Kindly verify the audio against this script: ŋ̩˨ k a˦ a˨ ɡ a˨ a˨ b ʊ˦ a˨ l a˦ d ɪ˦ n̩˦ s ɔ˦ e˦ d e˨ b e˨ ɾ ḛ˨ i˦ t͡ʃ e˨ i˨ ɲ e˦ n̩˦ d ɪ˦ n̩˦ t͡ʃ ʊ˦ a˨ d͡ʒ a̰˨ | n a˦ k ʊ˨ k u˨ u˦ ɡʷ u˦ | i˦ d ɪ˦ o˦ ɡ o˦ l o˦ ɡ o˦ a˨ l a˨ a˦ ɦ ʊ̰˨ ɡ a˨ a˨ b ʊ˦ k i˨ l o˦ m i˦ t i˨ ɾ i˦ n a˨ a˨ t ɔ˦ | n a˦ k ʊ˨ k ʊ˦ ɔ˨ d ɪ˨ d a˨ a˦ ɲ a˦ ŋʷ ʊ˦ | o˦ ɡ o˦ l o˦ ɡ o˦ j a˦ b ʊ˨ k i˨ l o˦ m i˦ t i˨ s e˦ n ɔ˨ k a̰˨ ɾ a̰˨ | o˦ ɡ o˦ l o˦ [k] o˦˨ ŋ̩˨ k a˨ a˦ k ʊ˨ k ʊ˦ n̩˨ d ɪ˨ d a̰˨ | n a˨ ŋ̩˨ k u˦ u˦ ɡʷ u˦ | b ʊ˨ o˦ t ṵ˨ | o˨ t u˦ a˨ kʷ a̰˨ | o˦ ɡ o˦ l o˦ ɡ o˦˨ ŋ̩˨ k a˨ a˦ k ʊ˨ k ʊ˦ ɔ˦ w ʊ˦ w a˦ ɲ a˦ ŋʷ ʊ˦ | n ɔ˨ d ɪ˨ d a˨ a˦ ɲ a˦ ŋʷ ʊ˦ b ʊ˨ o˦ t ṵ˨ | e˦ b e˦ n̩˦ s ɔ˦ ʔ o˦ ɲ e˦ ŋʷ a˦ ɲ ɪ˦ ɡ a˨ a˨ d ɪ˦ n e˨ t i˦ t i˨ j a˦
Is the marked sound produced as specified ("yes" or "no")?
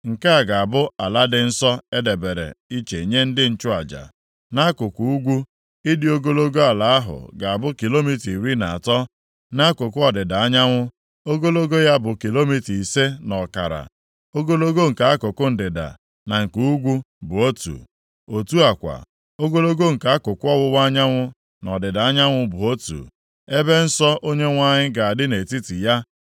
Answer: no